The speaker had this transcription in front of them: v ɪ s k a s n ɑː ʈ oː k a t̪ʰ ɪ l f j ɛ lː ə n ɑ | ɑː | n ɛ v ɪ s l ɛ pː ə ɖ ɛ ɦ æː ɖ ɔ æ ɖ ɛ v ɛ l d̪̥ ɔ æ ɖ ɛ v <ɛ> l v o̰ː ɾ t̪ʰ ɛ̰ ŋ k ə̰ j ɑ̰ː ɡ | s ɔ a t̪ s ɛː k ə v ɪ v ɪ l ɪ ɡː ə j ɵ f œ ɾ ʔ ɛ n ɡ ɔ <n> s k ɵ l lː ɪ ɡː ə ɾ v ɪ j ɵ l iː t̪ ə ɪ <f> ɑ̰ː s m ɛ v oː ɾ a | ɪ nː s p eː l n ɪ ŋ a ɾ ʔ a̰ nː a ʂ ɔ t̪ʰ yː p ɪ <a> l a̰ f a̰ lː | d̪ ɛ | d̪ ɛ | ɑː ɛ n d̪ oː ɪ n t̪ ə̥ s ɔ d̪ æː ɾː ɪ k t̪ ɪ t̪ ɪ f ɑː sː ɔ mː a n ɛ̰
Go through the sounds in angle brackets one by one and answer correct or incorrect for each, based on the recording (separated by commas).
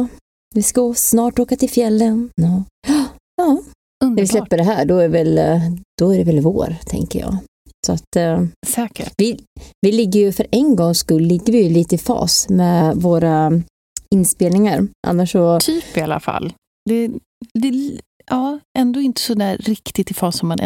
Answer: correct, incorrect, correct, correct